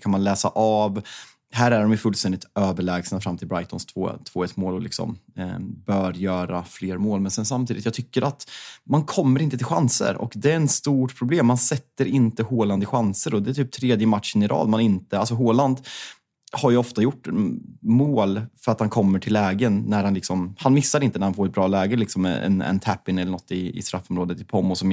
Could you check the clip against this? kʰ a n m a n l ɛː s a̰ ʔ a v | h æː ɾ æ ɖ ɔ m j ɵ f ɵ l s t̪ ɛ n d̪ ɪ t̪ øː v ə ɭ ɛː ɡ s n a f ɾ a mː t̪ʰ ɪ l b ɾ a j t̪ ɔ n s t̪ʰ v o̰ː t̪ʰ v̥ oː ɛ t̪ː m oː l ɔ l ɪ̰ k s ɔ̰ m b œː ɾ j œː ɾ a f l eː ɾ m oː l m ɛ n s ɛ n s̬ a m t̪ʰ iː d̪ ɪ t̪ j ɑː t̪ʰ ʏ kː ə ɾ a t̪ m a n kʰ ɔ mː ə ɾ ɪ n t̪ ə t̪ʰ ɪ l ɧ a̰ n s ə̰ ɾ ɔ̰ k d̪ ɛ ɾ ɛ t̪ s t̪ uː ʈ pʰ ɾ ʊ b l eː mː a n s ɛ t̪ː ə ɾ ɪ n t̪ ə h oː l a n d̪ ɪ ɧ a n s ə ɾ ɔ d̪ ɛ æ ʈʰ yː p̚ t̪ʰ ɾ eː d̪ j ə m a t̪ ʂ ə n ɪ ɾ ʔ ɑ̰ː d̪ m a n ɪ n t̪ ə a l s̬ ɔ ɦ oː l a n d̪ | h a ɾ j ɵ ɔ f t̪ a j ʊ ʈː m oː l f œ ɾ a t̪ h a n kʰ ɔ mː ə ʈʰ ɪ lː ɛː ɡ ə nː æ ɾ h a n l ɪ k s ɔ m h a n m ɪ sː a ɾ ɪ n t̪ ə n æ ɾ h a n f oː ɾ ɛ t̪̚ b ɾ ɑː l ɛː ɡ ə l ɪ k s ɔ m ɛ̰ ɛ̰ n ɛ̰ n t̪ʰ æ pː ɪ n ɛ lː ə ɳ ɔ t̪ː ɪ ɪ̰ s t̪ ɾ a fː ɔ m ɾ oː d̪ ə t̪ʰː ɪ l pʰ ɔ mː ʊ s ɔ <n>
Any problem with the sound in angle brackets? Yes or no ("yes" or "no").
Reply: yes